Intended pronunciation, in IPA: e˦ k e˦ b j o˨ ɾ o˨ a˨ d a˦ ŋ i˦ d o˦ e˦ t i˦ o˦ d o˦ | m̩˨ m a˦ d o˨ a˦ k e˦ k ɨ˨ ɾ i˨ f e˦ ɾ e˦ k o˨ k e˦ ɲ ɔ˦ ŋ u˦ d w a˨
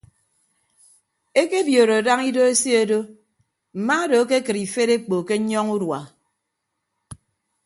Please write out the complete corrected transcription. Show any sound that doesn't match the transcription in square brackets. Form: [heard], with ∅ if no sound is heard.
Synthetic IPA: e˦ k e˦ b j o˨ ɾ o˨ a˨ d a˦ ŋ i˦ d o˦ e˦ [s] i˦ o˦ d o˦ | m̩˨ m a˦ d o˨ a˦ k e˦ k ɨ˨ ɾ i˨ f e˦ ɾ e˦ [k͡p] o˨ k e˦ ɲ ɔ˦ ŋ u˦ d w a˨